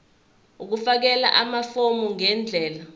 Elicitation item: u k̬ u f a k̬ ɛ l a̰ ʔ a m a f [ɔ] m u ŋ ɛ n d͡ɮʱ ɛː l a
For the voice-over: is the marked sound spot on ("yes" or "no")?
no